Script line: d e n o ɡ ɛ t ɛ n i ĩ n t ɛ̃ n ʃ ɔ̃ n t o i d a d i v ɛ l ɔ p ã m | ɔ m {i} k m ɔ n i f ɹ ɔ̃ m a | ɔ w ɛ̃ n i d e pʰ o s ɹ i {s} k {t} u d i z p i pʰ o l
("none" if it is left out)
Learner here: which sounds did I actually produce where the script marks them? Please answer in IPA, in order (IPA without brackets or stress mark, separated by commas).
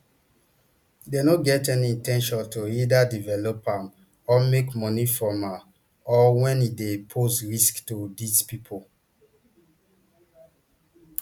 e, s, t